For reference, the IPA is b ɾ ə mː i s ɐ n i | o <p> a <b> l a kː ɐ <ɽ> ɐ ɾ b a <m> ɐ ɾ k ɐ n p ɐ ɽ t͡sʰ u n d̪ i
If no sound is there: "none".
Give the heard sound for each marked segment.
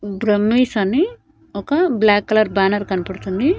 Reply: k, b, l, n

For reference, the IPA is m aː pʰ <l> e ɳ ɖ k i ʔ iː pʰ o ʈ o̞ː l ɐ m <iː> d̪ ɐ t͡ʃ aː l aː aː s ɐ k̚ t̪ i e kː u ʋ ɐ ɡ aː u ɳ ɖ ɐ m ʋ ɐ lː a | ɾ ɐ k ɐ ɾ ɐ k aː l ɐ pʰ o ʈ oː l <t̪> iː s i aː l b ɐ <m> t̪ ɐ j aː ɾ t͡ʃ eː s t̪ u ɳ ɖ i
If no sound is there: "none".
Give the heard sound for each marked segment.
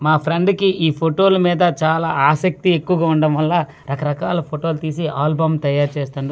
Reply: ɾ, iː, t̪, m

